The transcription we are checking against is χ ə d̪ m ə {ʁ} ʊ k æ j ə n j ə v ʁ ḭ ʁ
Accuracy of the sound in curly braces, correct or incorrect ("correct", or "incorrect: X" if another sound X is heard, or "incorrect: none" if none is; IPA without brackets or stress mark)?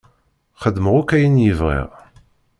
correct